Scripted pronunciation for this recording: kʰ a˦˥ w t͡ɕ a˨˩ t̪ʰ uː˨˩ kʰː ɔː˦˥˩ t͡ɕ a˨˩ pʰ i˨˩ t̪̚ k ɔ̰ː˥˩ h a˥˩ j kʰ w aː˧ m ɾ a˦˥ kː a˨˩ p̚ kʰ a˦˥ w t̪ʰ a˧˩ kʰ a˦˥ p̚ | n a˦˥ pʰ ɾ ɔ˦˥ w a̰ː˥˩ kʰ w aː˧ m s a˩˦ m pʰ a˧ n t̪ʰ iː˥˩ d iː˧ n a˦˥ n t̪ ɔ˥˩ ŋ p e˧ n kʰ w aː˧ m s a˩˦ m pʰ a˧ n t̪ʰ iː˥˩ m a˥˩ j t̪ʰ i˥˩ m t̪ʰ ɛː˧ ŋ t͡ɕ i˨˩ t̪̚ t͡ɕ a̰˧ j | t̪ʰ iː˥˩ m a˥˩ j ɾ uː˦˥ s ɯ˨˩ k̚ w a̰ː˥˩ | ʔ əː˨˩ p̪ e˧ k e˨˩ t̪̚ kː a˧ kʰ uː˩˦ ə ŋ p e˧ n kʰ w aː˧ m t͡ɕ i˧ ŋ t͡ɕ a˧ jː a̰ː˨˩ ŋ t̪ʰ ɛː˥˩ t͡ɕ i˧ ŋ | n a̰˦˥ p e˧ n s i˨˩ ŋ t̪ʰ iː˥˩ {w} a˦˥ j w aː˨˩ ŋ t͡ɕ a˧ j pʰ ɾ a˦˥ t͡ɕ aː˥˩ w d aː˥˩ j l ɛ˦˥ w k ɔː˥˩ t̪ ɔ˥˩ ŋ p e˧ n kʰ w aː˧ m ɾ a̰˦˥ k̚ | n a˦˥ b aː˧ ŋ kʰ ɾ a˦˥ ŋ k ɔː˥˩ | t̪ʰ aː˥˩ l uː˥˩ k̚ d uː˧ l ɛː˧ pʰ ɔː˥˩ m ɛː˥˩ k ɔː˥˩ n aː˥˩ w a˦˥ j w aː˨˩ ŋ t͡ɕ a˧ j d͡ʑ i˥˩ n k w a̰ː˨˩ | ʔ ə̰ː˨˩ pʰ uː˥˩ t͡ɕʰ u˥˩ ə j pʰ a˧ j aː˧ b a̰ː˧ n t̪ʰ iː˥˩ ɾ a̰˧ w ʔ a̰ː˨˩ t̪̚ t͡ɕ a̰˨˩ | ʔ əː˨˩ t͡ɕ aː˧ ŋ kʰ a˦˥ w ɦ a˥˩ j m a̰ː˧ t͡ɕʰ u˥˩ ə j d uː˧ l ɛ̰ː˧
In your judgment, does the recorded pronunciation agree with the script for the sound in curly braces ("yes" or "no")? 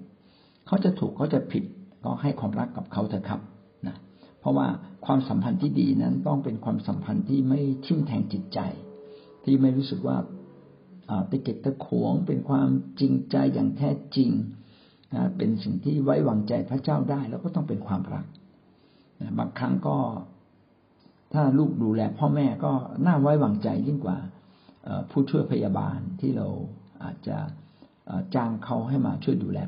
yes